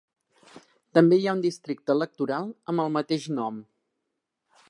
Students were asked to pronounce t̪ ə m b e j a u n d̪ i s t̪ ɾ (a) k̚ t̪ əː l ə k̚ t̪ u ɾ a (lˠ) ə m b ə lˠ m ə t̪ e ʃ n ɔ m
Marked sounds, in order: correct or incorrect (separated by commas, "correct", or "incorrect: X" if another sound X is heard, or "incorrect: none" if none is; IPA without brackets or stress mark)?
incorrect: i, correct